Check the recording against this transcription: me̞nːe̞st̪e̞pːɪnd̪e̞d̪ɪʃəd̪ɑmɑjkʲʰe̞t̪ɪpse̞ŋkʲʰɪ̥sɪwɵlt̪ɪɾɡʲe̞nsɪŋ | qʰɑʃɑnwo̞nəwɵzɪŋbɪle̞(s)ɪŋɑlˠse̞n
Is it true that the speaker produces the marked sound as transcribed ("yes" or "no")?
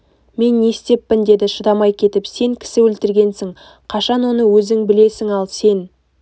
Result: yes